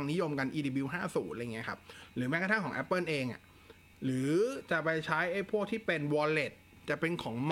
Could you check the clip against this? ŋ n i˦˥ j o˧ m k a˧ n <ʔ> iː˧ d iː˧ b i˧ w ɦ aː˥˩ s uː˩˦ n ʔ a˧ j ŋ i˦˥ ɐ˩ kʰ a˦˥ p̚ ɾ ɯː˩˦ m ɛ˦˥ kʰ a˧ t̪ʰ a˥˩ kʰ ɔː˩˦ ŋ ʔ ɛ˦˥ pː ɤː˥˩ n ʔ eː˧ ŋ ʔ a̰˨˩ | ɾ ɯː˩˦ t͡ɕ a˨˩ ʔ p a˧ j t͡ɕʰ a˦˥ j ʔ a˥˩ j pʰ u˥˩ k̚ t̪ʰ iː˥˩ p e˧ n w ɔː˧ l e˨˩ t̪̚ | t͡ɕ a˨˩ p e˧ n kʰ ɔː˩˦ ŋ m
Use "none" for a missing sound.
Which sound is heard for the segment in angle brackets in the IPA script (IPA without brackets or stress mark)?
ʔ